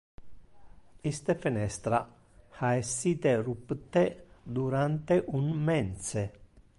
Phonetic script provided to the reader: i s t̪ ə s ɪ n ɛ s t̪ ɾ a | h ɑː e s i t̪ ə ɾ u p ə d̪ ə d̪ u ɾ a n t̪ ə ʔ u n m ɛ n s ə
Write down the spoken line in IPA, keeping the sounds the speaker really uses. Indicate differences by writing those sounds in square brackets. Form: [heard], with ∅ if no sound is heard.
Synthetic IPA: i s t̪ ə [f] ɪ n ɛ s t̪ ɾ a | h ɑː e s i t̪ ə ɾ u p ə [t̪] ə d̪ u ɾ a n t̪ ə ʔ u n m ɛ n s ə

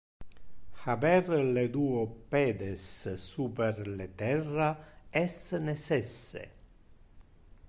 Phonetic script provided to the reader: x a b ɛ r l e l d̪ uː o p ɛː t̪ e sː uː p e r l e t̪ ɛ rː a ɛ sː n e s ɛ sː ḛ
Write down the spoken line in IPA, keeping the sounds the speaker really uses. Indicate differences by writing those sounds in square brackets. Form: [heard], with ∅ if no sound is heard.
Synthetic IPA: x a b ɛ r l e [∅] d̪ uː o p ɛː [d̪] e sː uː p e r l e t̪ ɛ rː a ɛ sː n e s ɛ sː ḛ

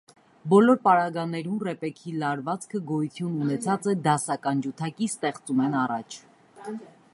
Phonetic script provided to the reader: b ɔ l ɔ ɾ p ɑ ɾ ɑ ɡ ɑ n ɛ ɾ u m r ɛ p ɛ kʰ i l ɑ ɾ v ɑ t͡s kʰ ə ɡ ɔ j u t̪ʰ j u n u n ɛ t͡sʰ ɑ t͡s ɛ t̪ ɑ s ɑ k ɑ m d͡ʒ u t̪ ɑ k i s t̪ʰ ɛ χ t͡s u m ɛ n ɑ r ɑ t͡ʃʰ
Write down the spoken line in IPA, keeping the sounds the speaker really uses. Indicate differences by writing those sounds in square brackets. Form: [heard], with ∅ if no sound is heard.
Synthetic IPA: b ɔ l ɔ ɾ p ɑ ɾ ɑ ɡ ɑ n ɛ ɾ u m r ɛ p ɛ kʰ i l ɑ ɾ v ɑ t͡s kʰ ə ɡ ɔ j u t̪ʰ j u n u n ɛ t͡sʰ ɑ t͡s ɛ [d̪] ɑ s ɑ k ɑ [n] d͡ʒ u [t̪ʰ] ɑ k i s [t̪] ɛ χ t͡s u m ɛ n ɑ r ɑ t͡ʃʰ

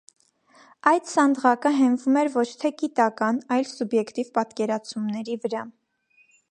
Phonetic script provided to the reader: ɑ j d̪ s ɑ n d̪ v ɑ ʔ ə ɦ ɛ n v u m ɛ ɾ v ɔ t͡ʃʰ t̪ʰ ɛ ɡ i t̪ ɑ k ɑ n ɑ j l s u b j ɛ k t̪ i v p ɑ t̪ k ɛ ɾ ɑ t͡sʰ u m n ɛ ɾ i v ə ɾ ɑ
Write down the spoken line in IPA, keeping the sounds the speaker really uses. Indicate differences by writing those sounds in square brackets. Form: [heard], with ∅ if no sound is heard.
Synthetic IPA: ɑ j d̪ s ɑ n d̪ [ʁ] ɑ [k] ə ɦ ɛ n v u m ɛ ɾ v ɔ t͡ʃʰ t̪ʰ ɛ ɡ i t̪ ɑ k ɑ n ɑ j l s u b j ɛ k t̪ i v p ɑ t̪ k ɛ ɾ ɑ t͡sʰ u m n ɛ ɾ i v ə ɾ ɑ

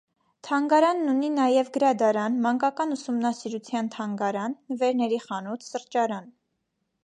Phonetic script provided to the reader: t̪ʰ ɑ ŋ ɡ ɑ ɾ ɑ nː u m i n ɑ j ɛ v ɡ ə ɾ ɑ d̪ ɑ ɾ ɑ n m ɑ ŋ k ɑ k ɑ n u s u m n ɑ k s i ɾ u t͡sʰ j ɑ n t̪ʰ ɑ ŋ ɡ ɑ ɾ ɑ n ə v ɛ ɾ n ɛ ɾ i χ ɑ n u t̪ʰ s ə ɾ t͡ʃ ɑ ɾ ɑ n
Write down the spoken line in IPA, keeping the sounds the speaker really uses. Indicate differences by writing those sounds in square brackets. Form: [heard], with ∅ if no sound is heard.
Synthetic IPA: t̪ʰ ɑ ŋ ɡ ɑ ɾ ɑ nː u [n] i n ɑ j ɛ v ɡ ə ɾ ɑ d̪ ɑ ɾ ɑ n m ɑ ŋ k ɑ k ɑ n u s u m n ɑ [∅] s i ɾ u t͡sʰ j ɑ n t̪ʰ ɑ ŋ ɡ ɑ ɾ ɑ [nː] ə v ɛ ɾ n ɛ ɾ i χ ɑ n u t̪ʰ s ə ɾ t͡ʃ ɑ ɾ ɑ n

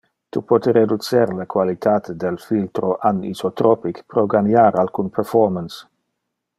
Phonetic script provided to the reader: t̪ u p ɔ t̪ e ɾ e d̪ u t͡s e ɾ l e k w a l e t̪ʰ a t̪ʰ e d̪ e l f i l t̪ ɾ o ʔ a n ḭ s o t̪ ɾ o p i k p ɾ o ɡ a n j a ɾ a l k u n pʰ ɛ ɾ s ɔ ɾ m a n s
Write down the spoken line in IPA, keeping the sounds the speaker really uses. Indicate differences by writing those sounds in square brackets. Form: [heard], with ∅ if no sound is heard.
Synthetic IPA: t̪ u p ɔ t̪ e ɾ e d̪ u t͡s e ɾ l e k w a l [i] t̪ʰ a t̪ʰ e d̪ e l f i l t̪ ɾ o ʔ a n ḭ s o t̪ ɾ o p i k p ɾ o ɡ a n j a ɾ a l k u n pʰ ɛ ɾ [f] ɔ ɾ m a n s

